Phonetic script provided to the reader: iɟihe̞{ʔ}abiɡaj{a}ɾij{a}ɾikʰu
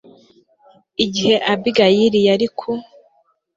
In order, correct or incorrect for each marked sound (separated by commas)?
correct, incorrect, correct